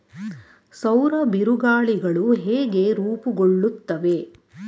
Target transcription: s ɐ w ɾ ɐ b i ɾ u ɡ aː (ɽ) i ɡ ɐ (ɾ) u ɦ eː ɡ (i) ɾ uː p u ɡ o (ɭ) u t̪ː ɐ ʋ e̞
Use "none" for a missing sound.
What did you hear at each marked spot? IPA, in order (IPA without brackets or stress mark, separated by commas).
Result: ɭ, ɭ, e, ɭː